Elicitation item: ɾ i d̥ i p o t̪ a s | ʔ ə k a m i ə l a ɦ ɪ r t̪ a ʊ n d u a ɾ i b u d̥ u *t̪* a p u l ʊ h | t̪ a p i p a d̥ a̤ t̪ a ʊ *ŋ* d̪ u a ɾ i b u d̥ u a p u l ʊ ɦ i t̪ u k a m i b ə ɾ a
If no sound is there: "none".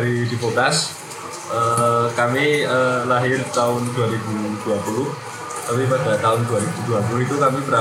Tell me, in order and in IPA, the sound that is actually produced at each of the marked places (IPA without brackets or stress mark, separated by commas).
none, n